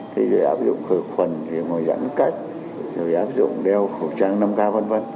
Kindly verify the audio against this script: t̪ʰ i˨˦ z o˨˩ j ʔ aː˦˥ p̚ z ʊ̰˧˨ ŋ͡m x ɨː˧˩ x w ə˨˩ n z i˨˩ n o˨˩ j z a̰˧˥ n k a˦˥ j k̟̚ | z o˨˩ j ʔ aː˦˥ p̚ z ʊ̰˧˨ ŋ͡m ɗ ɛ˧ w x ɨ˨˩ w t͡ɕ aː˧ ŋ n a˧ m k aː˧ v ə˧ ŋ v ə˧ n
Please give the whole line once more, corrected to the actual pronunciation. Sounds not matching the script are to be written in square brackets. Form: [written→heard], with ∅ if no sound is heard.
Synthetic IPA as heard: t̪ʰ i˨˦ z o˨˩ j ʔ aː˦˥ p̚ z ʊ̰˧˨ ŋ͡m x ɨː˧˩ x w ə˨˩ n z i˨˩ [n→ŋ] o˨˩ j z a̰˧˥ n k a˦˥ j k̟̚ | z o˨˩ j ʔ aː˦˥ p̚ z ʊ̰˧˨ ŋ͡m ɗ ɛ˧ w x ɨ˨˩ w t͡ɕ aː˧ ŋ n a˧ m k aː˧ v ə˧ [ŋ→n] v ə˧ n